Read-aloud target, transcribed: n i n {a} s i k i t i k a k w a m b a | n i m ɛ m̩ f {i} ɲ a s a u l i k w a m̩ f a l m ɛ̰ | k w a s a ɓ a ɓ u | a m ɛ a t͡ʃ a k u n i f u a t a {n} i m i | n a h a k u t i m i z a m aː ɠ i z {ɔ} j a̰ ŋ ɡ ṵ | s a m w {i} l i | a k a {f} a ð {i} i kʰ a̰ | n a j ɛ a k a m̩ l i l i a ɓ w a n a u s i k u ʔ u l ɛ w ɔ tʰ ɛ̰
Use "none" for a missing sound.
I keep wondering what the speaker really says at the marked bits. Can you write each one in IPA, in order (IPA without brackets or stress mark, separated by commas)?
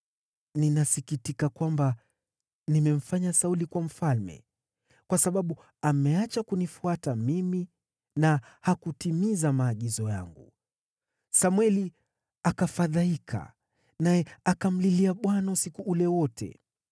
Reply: a, a, m, ɔ, ɛ, f, a